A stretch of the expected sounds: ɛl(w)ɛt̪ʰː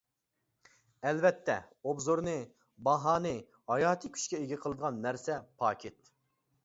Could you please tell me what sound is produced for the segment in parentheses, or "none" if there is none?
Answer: v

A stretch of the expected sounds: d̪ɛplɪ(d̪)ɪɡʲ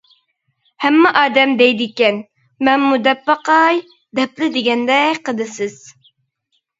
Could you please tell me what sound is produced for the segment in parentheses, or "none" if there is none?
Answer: d̪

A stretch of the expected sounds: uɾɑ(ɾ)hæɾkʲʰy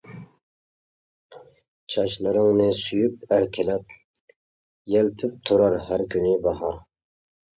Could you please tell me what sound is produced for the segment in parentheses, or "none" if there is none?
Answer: ɾ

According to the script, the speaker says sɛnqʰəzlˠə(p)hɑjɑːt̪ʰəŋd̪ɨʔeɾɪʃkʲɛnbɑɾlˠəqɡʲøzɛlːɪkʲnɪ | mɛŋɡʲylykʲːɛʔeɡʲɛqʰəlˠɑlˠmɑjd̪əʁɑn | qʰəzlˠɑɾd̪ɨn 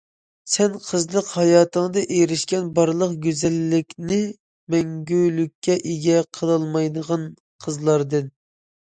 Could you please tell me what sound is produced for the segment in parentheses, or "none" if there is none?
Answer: q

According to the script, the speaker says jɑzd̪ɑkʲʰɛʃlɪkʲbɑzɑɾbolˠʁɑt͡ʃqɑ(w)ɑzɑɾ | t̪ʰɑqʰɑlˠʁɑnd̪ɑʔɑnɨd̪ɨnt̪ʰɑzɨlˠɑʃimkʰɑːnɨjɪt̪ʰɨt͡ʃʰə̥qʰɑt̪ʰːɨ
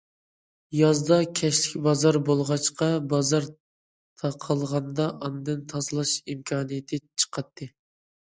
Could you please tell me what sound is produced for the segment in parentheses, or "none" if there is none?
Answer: b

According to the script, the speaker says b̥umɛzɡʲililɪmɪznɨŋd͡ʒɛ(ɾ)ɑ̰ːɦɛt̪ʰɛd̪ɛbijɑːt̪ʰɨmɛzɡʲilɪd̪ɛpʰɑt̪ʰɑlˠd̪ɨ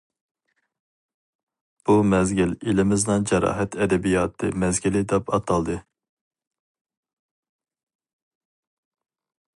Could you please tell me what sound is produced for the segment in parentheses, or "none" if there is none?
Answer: ɾ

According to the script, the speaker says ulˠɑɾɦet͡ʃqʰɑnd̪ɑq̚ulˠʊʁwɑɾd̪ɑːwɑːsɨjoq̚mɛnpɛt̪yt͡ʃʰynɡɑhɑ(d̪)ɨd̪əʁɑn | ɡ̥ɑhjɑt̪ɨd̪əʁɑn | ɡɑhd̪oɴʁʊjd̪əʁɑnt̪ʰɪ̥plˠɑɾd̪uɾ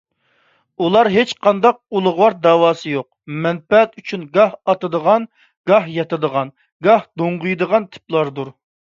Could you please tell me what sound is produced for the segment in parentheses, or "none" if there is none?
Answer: t̪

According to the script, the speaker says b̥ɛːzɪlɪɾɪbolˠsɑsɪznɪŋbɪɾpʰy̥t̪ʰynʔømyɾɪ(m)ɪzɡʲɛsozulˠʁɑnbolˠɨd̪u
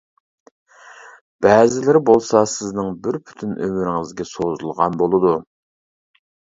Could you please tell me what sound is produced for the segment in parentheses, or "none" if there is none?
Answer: ŋ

